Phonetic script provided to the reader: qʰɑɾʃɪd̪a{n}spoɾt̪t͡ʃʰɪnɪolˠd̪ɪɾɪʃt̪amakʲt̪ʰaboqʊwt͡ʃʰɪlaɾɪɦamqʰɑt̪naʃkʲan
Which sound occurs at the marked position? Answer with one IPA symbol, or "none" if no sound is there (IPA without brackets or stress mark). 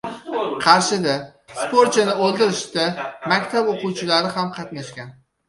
none